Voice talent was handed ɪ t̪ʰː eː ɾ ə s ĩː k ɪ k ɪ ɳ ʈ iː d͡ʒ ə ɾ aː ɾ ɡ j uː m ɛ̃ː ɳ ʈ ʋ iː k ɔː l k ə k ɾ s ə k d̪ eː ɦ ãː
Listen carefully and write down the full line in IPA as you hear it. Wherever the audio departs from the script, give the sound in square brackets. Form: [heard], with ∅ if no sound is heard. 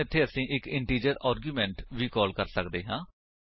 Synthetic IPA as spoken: ɪ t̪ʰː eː [∅] ə s ĩː [ʔ] ɪ k ɪ ɳ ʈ iː d͡ʒ ə ɾ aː ɾ ɡ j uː m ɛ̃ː ɳ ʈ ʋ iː k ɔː l k ə [∅] ɾ s ə k d̪ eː ɦ ãː